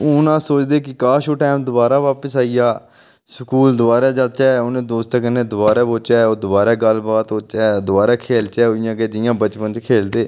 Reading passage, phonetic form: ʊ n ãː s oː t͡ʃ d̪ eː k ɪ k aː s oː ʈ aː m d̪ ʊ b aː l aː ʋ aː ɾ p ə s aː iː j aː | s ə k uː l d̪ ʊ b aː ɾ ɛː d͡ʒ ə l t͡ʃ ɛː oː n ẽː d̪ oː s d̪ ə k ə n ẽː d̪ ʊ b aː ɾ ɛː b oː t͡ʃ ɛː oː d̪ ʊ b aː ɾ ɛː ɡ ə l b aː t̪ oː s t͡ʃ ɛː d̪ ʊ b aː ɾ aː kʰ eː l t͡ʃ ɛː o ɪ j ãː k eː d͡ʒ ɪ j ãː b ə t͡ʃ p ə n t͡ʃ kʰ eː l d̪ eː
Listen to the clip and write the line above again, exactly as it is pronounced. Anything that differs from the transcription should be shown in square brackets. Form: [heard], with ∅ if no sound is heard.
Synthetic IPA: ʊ n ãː s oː t͡ʃ d̪ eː k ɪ k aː [ʃ] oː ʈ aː m d̪ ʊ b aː [ɾ] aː ʋ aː [∅] p ə s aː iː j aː | s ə k uː l d̪ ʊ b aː ɾ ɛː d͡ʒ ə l t͡ʃ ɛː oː n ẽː d̪ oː s [t̪] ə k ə n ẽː d̪ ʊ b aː ɾ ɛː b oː t͡ʃ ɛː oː d̪ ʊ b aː ɾ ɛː ɡ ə l b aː t̪ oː [∅] t͡ʃ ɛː d̪ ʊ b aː ɾ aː kʰ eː l t͡ʃ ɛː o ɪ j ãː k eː d͡ʒ ɪ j ãː b ə t͡ʃ p ə n t͡ʃ kʰ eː l d̪ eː